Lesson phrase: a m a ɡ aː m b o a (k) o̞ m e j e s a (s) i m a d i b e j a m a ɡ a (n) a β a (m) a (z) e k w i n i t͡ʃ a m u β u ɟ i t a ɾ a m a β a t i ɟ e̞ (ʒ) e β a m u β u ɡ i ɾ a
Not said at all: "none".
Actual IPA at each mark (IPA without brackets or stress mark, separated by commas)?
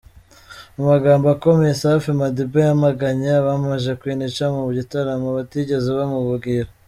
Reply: k, f, ɲ, m, ʒ, z